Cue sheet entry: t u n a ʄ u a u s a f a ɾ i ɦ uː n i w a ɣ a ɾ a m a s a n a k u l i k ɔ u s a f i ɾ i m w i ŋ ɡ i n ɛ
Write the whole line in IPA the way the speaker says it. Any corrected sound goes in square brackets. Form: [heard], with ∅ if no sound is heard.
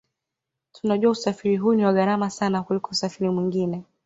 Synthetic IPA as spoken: t u n a ʄ u a u s a f [i] ɾ i ɦ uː n i w a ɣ a ɾ a m a s a n a k u l i k ɔ u s a f i ɾ i m w i ŋ ɡ i n ɛ